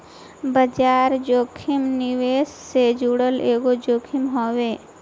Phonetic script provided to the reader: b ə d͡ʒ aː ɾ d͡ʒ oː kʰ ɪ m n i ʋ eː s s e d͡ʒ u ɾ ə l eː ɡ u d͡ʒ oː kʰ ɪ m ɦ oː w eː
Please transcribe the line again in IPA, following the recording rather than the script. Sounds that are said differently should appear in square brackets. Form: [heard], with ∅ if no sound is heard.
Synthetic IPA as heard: b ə d͡ʒ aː ɾ d͡ʒ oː kʰ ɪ m n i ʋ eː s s e d͡ʒ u [ɽ] ə l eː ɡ [o] d͡ʒ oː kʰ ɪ m ɦ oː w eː